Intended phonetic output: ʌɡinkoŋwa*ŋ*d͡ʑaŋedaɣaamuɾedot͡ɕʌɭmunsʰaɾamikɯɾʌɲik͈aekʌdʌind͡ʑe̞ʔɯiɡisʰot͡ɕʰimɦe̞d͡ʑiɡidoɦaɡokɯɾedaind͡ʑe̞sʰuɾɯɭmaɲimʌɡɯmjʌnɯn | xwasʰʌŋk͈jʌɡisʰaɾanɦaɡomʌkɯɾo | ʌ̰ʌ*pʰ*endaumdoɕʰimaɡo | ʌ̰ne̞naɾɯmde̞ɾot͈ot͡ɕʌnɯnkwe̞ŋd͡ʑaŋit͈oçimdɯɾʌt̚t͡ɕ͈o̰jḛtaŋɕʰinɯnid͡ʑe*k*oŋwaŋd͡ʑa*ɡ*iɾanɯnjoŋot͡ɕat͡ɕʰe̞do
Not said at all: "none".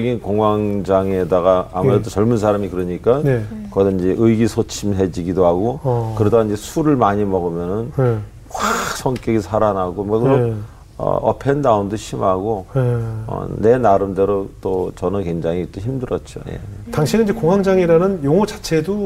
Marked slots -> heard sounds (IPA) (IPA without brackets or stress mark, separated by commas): ŋ, pʰ, k, ŋ